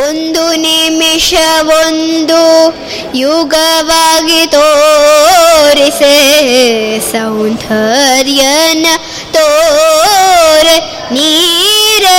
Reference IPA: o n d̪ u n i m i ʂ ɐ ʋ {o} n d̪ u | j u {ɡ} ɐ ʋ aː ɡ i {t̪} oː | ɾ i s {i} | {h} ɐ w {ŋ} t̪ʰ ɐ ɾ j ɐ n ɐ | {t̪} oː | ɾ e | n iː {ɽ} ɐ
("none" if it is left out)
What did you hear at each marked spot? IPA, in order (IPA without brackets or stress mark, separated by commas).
o, ɡ, t̪, e, s, n, t̪, ɾ